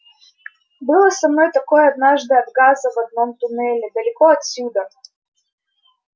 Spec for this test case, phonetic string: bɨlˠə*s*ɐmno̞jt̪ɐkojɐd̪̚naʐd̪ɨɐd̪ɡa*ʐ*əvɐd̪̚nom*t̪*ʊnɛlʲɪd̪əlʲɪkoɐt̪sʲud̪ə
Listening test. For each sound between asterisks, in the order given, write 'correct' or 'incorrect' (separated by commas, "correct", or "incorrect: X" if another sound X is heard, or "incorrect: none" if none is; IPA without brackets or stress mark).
correct, incorrect: z, correct